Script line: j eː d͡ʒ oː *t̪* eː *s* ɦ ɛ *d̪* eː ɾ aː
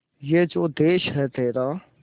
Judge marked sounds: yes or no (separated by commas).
no, no, no